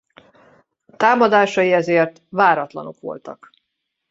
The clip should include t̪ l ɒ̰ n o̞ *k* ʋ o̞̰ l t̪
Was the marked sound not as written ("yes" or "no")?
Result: no